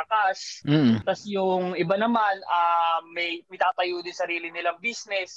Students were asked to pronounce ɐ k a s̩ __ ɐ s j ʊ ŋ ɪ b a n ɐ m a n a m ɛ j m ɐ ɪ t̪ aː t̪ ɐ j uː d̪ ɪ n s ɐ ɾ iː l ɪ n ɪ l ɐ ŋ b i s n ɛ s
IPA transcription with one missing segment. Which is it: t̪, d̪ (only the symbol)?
t̪